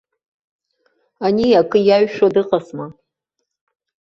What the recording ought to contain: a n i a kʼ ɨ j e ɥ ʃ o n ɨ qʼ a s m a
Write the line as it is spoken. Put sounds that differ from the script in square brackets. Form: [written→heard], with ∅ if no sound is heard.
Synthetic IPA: a n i a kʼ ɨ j [e→a] ɥ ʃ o [n→d] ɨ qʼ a s m a

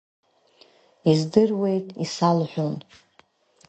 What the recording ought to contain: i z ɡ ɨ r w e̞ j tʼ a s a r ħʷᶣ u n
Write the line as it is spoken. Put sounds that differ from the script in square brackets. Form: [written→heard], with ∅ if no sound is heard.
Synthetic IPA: i z [ɡ→d] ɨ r w e̞ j tʼ [a→i] s a [r→l] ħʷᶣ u n

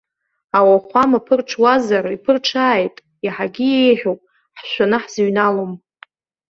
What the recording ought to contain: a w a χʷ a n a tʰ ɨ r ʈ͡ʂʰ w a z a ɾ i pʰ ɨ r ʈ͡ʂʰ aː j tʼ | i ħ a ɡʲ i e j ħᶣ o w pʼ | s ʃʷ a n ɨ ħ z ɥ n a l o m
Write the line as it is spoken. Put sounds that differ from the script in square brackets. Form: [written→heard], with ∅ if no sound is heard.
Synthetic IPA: a w a χʷ a [n→m] a [tʰ→pʰ] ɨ r ʈ͡ʂʰ w a z a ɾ i pʰ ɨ r ʈ͡ʂʰ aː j tʼ | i ħ a ɡʲ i e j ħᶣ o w pʼ | [s→ħ] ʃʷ a n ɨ ħ z ɥ n a l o m

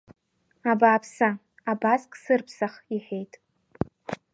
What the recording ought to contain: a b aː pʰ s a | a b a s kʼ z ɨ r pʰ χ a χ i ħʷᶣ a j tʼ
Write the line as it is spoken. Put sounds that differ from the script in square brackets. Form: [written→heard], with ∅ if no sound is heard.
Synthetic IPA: a b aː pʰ s a | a b a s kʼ [z→s] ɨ r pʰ [χ→s] a χ i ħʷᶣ [a→e] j tʼ

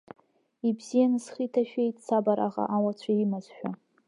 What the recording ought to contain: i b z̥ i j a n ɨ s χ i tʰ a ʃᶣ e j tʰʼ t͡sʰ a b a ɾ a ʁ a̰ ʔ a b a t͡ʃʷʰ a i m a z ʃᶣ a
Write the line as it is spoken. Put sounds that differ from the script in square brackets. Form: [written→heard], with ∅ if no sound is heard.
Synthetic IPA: i b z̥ i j a n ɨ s χ i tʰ a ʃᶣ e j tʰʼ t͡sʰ a b a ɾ a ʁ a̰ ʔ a [b→w] a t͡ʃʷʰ a i m a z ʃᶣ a

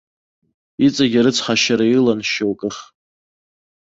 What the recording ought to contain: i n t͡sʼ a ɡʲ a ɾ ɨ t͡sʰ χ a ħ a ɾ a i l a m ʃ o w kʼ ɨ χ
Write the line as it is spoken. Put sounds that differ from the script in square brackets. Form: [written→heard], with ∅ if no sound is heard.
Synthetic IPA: i [n→∅] t͡sʼ a ɡʲ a ɾ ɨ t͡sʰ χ a [ħ→ʃ] a ɾ a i l a [m→n] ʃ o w kʼ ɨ χ

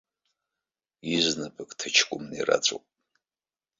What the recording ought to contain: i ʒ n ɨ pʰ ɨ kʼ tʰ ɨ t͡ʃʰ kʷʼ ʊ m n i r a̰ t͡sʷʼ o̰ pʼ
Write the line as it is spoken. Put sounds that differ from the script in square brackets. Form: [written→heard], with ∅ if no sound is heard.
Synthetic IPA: i [ʒ→z] n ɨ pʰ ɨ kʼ tʰ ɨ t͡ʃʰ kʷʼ ʊ m n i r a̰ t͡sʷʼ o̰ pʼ

